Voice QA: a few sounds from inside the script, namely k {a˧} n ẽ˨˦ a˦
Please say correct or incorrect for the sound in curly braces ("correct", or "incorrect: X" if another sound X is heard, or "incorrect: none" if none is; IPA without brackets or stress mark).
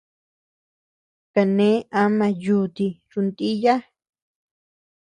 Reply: correct